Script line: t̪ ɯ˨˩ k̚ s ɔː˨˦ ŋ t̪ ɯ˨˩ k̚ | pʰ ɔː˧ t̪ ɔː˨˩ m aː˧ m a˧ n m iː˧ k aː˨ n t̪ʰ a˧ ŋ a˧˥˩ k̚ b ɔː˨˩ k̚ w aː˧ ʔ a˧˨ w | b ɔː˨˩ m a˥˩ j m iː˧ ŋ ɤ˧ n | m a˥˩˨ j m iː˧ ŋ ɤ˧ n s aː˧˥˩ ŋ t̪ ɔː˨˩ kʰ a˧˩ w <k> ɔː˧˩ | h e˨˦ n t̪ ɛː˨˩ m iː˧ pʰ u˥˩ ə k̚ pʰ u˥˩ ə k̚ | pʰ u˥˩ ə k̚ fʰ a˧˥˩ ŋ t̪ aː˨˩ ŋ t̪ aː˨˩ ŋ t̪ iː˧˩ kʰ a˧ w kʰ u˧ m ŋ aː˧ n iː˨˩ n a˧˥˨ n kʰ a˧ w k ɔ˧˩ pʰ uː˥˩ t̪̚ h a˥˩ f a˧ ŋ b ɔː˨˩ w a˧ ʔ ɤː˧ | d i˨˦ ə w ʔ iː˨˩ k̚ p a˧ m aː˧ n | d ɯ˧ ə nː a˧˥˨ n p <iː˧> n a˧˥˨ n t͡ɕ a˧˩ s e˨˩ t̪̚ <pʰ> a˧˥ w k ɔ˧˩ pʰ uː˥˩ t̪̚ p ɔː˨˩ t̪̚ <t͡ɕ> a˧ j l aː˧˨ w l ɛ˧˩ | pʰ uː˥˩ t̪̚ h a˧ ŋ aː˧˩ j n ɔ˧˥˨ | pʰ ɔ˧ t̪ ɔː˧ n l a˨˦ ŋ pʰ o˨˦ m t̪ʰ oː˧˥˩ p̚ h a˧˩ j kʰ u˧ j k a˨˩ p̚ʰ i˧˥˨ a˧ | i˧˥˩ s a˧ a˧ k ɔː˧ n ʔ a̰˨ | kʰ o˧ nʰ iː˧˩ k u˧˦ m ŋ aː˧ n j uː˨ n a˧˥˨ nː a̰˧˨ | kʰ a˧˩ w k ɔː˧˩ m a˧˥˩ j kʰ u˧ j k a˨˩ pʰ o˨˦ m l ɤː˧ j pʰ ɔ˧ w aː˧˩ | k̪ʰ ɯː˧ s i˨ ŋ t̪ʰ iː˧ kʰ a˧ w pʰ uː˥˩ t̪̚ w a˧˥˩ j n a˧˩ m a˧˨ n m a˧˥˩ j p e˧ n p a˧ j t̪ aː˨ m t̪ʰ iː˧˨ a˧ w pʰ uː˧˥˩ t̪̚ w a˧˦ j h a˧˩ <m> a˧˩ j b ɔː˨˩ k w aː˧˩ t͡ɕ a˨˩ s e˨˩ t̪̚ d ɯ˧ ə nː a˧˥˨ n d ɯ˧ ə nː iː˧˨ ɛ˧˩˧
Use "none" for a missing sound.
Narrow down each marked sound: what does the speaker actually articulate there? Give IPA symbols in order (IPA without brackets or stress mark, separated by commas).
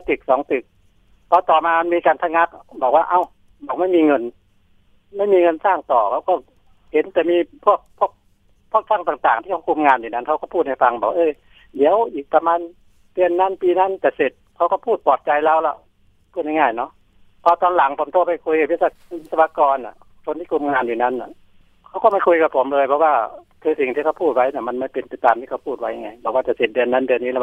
k, iː˧, kʰ, t͡ɕ, ŋ